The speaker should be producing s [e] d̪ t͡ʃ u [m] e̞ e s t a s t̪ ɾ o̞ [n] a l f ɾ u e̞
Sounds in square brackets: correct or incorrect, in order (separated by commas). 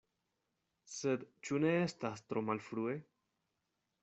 correct, incorrect, incorrect